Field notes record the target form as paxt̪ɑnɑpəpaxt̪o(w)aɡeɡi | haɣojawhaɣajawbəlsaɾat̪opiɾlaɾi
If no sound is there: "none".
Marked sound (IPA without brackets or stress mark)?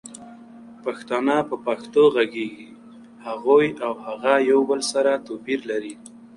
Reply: ɣ